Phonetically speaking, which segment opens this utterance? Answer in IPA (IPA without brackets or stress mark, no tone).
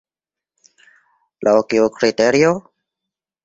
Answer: l